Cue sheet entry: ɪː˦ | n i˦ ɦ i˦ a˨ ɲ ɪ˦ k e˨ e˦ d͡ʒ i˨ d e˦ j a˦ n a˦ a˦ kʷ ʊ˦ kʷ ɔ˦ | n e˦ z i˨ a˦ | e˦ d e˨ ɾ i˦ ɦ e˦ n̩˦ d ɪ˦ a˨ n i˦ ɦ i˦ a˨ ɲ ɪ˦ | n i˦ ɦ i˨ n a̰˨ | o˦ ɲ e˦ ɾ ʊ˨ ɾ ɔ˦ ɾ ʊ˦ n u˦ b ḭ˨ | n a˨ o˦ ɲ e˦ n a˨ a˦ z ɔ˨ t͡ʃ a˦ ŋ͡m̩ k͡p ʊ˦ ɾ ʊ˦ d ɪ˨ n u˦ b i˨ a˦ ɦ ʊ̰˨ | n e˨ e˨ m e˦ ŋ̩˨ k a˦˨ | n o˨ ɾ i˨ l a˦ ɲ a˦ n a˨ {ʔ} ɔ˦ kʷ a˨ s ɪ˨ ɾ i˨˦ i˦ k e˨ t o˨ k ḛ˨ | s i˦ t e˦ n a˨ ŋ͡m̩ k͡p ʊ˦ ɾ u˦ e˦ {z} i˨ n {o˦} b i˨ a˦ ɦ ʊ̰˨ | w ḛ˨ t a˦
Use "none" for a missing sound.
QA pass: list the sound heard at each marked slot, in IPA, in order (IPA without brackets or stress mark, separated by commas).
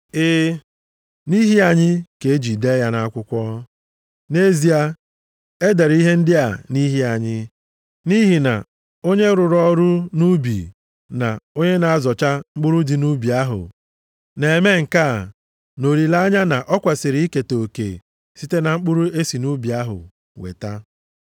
ʔ, s, u˦